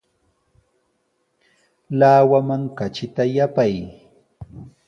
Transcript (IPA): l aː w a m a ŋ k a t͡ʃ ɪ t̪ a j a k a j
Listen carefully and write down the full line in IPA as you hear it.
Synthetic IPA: l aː w a m a ŋ k a t͡ʃ ɪ t̪ a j a p a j